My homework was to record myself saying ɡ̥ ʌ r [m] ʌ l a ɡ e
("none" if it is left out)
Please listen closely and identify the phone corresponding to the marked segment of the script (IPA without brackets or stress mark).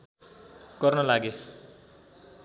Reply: n